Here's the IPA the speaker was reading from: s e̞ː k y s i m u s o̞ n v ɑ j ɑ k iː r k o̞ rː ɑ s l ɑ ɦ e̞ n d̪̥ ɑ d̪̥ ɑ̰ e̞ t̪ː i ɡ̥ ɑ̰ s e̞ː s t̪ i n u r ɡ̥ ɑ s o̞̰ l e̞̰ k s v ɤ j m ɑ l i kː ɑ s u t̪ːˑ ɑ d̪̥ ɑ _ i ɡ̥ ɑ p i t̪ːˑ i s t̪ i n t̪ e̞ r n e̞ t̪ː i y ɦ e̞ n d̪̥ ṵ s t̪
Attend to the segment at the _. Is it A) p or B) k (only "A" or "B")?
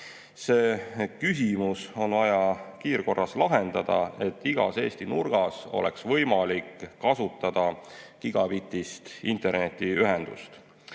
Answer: B